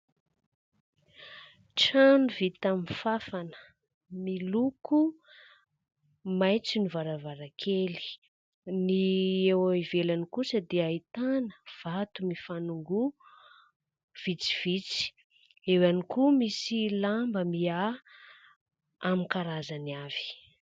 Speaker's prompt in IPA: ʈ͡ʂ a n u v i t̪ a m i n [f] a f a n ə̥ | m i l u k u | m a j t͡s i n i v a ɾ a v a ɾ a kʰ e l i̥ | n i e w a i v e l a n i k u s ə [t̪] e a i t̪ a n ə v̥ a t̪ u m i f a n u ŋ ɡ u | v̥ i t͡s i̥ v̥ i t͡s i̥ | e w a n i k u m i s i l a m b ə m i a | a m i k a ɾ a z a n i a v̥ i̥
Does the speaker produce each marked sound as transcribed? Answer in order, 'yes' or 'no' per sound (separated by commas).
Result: yes, no